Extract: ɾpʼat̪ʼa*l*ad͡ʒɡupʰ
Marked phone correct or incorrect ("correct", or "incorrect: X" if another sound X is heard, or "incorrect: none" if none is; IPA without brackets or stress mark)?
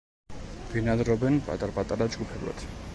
incorrect: ɾ